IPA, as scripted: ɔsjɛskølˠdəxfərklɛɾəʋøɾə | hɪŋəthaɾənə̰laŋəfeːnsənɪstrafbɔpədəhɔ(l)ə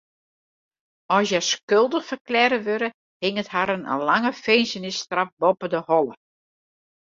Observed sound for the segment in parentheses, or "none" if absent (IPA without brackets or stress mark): l